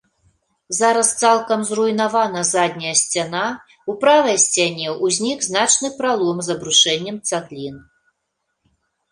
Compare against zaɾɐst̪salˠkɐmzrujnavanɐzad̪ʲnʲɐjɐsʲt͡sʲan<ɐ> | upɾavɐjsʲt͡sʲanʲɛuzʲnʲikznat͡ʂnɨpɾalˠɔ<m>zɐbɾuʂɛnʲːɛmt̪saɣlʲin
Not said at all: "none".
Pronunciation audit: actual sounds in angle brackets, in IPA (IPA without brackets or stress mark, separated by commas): a, m